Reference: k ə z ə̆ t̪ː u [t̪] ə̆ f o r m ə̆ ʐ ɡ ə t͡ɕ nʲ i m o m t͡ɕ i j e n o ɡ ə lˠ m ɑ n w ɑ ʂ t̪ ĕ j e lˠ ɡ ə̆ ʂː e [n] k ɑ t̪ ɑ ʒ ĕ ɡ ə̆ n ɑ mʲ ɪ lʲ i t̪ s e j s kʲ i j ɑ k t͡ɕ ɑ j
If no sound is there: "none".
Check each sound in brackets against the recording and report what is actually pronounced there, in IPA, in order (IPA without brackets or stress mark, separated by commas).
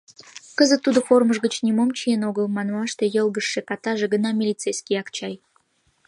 d̪, none